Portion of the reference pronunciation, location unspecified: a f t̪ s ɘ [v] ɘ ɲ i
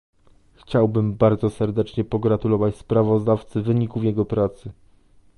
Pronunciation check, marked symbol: correct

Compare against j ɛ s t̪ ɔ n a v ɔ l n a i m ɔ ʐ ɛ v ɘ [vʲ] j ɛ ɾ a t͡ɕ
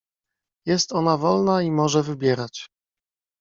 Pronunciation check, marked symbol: incorrect: bʲ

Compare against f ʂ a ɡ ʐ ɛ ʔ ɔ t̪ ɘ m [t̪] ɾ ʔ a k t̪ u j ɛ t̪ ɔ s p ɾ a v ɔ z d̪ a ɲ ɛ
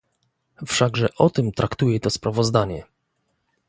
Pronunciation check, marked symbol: correct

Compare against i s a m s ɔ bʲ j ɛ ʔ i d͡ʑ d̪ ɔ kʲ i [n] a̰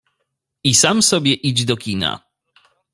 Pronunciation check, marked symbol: correct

